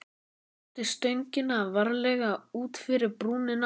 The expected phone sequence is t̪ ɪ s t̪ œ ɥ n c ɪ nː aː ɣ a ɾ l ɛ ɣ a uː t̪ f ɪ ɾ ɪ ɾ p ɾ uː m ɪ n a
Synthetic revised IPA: t̪ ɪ s t̪ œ ɥ ɲ c ɪ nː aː v a ɾ l ɛ ɣ a uː t̪ f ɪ ɾ ɪ ɾ p ɾ uː n ɪ n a